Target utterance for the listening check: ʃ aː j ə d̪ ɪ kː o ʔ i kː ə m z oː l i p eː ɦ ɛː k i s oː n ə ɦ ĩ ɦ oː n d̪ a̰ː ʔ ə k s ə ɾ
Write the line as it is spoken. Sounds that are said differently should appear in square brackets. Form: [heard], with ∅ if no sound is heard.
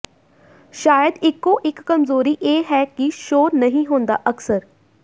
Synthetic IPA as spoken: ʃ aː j ə d̪ ɪ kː o ʔ [ɪ] kː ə m z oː [ɾ] i [ʔ] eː ɦ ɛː k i [ʃ] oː n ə ɦ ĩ ɦ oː n d̪ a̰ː ʔ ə k s ə ɾ

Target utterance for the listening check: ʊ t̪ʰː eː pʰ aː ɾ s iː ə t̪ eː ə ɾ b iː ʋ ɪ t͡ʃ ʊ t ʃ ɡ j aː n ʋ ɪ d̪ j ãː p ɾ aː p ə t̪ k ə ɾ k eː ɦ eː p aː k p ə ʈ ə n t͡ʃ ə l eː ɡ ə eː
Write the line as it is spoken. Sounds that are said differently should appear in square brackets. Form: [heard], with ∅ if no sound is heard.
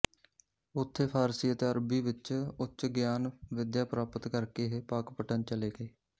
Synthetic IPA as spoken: ʊ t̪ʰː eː pʰ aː ɾ s iː ə t̪ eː ə ɾ b iː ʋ ɪ t͡ʃ ʊ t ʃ ɡ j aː n ʋ ɪ d̪ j [aː] p ɾ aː p ə t̪ k ə ɾ k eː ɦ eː p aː k p ə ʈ ə n t͡ʃ ə l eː ɡ ə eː

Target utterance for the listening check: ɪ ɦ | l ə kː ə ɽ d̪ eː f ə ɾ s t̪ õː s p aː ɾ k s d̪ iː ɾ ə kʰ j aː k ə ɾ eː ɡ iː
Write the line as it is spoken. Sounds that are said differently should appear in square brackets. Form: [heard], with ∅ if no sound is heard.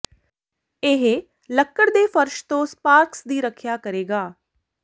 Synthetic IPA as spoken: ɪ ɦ | l ə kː ə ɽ d̪ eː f ə ɾ [ʃ] t̪ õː s p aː ɾ k s d̪ iː ɾ ə kʰ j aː k ə ɾ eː ɡ [aː]

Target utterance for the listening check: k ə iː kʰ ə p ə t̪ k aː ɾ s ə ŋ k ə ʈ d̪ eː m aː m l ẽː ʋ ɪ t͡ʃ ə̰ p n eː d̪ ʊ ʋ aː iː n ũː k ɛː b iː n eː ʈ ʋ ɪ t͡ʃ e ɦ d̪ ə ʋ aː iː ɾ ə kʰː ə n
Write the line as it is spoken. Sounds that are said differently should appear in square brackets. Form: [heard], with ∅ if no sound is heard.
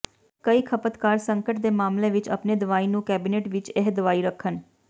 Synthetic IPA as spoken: k ə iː kʰ ə p ə t̪ k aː ɾ s ə ŋ k ə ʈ d̪ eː m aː m l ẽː ʋ ɪ t͡ʃ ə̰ p n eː d̪ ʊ ʋ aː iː n ũː k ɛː b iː n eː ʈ ʋ ɪ t͡ʃ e ɦ d̪ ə ʋ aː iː ɾ ə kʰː ə n

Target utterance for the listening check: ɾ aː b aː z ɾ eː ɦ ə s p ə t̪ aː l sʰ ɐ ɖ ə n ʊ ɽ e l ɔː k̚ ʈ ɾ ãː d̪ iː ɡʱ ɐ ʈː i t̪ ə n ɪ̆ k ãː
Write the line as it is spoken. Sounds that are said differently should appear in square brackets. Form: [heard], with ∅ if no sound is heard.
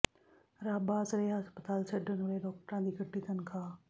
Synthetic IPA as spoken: ɾ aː b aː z ɾ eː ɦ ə s p ə t̪ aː l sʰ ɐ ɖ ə n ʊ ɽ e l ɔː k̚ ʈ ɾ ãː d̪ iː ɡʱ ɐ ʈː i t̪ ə n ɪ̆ [kʰ] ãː

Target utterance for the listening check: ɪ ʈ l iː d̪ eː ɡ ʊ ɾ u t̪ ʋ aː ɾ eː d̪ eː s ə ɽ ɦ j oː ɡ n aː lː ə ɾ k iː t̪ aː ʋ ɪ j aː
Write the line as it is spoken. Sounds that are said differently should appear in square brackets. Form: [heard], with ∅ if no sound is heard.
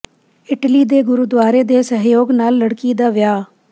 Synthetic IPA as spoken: ɪ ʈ l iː d̪ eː ɡ ʊ ɾ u [d̪] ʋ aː ɾ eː d̪ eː s ə [∅] ɦ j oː ɡ n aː lː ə [ɽ] k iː [d̪] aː ʋ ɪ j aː

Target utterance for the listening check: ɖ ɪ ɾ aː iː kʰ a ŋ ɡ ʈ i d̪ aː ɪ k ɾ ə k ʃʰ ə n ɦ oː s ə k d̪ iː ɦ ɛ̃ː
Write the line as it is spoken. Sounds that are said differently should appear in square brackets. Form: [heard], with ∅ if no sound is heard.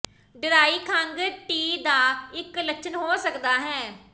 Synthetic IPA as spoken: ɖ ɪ ɾ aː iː kʰ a ŋ ɡ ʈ [iː] d̪ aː ɪ k [l] ə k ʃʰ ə n ɦ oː s ə k d̪ [aː] ɦ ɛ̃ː

